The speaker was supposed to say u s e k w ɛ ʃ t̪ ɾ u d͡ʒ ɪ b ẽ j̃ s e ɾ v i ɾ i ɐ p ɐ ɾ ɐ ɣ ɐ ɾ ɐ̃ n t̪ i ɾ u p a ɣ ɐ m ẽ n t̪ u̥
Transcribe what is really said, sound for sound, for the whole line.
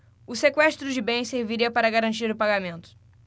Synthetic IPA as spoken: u s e k w ɛ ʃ t̪ ɾ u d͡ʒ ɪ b ẽ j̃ s e ɾ v i ɾ i ɐ p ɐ ɾ ɐ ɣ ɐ ɾ ɐ̃ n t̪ i ɾ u p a ɣ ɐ m ẽ n t̪ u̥